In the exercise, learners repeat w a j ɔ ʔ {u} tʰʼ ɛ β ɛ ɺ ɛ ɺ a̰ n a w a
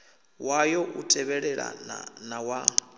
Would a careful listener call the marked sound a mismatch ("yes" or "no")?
no